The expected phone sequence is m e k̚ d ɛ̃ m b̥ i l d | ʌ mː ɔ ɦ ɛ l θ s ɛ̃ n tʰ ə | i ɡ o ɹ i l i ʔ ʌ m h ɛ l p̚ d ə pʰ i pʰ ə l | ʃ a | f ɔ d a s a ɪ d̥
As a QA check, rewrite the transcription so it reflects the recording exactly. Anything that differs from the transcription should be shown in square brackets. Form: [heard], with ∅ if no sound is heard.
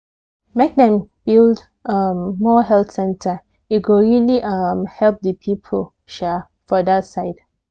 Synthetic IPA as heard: m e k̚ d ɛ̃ m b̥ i l d | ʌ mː ɔ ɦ ɛ l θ s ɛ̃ n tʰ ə | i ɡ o ɹ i l i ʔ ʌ m h ɛ l p̚ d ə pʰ i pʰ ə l | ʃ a | f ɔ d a s a ɪ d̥

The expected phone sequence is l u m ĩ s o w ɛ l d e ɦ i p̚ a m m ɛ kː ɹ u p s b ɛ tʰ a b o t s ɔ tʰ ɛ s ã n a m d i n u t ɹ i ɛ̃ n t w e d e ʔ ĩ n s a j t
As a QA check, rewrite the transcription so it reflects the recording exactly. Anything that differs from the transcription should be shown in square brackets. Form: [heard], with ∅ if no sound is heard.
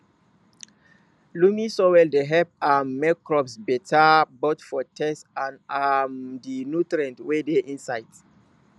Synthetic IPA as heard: l u m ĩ s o w ɛ l d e ɦ [ɛ] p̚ a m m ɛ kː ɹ [ɔ] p s b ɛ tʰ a b o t [f] ɔ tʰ ɛ s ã n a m d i n u t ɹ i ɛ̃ n t w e d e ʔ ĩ n s a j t

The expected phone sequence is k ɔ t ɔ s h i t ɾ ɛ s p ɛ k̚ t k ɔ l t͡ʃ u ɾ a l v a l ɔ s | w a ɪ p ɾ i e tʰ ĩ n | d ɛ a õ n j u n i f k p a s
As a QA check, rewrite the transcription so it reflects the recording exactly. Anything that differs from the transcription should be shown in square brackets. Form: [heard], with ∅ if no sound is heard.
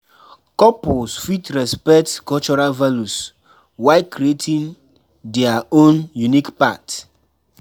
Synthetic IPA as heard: k ɔ [p] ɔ s [f] i t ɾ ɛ s p ɛ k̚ t k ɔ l t͡ʃ [ɔ] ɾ a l v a l [u] s | w a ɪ [k] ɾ i e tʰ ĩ n | d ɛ a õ n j u n i [∅] k p a [t]

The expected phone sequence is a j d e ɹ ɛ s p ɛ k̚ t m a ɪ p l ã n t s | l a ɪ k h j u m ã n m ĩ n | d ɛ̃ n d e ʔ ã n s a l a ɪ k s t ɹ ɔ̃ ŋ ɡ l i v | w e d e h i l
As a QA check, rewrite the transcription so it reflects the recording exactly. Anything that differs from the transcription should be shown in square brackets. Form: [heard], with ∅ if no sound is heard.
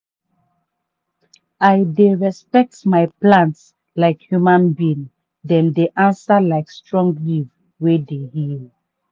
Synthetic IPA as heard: a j d e ɹ ɛ s p ɛ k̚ t m a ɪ p l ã n t s | l a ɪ k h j u m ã n [b] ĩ n | d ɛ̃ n d e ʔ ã n s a l a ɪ k s t ɹ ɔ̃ ŋ ɡ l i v | w e d e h i l

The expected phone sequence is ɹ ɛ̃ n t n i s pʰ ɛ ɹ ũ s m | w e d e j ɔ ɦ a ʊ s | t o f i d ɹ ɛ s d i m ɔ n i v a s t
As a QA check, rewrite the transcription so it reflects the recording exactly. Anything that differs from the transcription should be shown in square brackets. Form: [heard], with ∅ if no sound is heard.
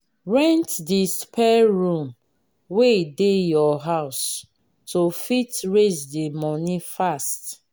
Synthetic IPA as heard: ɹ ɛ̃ n t [d] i s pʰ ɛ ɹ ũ [∅] m | w e d e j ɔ ɦ a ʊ s | t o f i [t] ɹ [e] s d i m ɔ n i [f] a s t

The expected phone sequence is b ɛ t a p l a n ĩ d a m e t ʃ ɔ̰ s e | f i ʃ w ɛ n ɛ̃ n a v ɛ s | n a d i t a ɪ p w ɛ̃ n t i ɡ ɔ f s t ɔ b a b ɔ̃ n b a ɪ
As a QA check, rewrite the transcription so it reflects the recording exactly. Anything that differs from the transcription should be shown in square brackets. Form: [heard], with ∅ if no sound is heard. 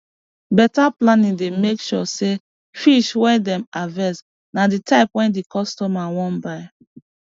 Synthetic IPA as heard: b ɛ t a p l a n ĩ d [e] m e [k] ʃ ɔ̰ s e | f i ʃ w ɛ [d] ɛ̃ [m] a v ɛ s | n a d i t a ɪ p w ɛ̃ n [d] i [k] ɔ [∅] s t ɔ [m] a [w] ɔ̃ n b a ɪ

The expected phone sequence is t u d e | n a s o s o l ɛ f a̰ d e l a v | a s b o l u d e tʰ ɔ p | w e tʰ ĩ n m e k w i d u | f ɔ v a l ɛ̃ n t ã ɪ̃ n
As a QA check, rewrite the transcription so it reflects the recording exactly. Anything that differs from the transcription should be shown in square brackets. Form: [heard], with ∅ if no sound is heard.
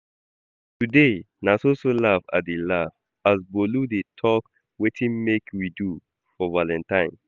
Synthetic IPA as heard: t u d e | n a s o s o l [a] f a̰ d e l a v | a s b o l u d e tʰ ɔ [k] | w e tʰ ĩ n m e k w i d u | f ɔ v a l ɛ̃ n t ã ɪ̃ n

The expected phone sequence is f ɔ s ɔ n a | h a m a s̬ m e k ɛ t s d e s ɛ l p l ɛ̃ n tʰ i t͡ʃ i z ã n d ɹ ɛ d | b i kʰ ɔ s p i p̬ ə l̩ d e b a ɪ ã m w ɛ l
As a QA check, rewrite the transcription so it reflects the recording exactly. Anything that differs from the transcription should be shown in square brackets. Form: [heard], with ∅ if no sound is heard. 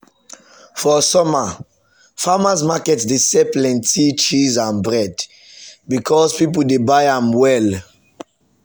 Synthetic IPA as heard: f ɔ s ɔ [m] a | [f] a m a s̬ m [a] k ɛ t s d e s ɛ [∅] p l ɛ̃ n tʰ i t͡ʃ i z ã n [b] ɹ ɛ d | b i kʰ ɔ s p i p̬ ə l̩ d e b a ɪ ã m w ɛ l

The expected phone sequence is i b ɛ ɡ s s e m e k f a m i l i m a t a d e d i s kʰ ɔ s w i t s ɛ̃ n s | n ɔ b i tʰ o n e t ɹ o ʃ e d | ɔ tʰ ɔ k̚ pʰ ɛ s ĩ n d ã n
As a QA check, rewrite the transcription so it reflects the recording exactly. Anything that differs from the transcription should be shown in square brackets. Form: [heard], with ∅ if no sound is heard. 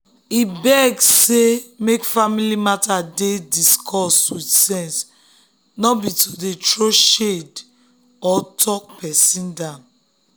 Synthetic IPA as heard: i b ɛ ɡ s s e m e k f a m i l i m a t a d e d i s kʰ ɔ s w i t s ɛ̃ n s | n ɔ b i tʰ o [d] e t ɹ o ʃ e d | ɔ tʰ ɔ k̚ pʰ ɛ s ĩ n d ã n

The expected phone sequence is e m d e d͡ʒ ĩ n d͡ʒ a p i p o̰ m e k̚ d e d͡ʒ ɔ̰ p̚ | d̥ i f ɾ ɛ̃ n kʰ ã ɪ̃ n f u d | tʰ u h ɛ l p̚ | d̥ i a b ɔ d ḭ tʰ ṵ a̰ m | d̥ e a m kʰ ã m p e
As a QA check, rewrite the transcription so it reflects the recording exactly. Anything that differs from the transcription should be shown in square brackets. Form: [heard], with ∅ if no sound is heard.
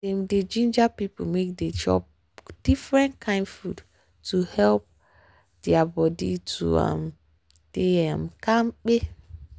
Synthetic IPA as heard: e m d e d͡ʒ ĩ n d͡ʒ a p i p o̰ m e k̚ d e d͡ʒ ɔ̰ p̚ | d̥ i f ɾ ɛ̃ n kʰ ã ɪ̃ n f u d | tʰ u h ɛ l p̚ | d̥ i a b ɔ d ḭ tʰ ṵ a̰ m | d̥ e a m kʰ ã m [k͡p] e

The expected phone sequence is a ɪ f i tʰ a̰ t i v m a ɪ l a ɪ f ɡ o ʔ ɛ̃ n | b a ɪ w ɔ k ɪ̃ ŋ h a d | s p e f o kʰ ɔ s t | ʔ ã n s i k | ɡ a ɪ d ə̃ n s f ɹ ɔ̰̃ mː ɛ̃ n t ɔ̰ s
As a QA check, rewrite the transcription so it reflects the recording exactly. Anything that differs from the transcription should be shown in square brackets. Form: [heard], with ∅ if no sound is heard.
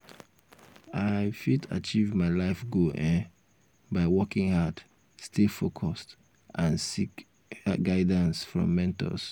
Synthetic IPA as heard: a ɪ f i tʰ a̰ [t͡ʃ] i v m a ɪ l a ɪ f ɡ o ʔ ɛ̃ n | b a ɪ w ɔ k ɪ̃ ŋ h a d | s [t] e f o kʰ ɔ s t | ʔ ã n s i k | ɡ a ɪ d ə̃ n s f ɹ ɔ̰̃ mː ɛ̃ n t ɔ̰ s

